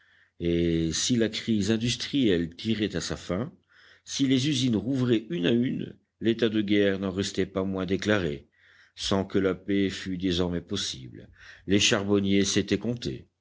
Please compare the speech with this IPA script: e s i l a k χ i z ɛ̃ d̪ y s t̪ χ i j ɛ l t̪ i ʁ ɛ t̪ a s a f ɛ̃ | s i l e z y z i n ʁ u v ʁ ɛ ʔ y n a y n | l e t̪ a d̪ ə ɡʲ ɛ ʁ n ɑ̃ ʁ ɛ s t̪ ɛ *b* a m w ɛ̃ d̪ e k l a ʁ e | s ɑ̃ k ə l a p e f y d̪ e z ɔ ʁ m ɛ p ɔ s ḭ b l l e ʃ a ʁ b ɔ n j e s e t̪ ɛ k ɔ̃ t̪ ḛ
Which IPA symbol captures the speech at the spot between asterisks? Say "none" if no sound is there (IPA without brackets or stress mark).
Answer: p